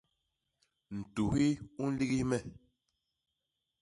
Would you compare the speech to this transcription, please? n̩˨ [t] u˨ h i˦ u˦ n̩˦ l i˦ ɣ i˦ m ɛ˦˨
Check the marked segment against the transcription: correct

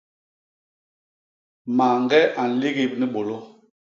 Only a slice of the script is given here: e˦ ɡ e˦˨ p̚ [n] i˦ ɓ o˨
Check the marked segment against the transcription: correct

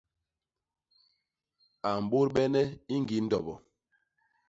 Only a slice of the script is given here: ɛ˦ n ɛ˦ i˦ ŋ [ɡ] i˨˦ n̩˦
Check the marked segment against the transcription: correct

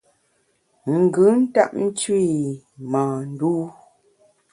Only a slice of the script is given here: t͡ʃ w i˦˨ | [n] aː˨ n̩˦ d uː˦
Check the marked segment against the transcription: incorrect: m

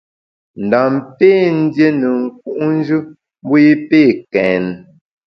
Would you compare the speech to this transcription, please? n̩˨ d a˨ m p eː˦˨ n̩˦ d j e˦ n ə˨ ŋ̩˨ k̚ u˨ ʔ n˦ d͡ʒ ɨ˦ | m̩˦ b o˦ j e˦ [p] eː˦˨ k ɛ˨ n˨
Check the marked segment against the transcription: correct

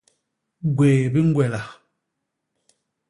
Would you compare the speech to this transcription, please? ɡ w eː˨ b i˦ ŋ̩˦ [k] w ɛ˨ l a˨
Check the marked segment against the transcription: incorrect: ɡ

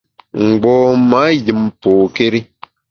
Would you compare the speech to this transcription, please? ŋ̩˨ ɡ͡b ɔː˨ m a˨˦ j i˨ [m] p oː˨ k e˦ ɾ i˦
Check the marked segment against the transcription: correct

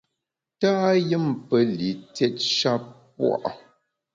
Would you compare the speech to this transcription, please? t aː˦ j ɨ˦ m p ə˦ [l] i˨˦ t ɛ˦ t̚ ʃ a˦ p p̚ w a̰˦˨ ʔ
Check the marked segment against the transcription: correct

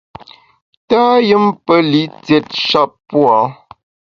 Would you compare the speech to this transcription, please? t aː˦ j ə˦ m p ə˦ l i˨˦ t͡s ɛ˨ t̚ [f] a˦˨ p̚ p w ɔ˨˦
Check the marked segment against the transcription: incorrect: ʃ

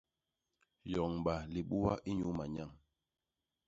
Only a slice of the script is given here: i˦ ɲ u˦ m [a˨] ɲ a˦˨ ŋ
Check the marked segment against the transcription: correct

